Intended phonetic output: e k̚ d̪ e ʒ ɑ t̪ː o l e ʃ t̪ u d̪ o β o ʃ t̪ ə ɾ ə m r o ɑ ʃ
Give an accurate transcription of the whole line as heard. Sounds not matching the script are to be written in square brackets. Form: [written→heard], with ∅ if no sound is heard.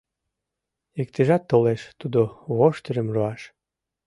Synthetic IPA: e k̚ [d̪→t̪] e ʒ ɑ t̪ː o l e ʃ t̪ u d̪ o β o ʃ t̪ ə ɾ ə m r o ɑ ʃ